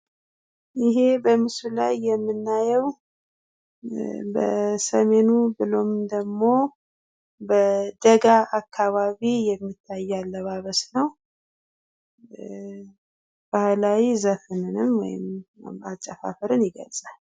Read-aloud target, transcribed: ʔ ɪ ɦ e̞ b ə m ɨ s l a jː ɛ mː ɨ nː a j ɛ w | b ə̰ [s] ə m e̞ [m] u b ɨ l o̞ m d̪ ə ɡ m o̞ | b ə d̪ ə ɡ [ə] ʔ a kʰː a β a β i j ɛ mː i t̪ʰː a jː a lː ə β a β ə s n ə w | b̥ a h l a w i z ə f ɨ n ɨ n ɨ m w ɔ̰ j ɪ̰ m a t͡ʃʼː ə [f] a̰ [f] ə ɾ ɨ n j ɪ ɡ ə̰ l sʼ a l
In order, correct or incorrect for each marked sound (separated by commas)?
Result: correct, incorrect, incorrect, correct, correct